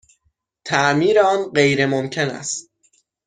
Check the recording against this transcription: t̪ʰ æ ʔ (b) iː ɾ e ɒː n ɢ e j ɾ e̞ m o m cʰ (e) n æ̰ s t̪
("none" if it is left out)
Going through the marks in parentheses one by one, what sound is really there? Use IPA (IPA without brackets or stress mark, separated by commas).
m, e